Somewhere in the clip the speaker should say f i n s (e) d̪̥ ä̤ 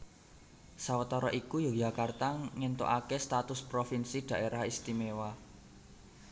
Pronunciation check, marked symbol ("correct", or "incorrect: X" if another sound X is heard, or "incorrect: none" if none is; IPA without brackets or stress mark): incorrect: i